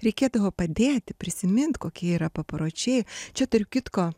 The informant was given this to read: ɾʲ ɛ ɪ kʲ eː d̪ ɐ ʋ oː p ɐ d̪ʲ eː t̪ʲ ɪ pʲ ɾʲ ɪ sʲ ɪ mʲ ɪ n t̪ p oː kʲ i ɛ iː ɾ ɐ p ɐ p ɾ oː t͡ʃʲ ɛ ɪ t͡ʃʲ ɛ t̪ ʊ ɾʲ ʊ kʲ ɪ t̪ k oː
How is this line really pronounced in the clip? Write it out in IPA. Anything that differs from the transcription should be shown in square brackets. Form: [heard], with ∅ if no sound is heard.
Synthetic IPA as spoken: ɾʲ ɛ ɪ kʲ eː d̪ ɐ ʋ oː p ɐ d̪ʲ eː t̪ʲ ɪ pʲ ɾʲ ɪ sʲ ɪ mʲ ɪ n t̪ [k] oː kʲ i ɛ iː ɾ ɐ p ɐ p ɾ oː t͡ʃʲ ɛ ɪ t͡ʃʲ ɛ t̪ ʊ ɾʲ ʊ kʲ ɪ t̪ k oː